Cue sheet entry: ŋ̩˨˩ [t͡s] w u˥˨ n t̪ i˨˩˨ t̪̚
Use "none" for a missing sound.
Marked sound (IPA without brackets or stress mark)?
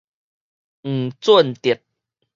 t͡s